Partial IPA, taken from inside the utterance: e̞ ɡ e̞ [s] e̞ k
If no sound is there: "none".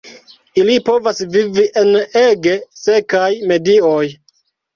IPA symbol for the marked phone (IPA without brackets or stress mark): s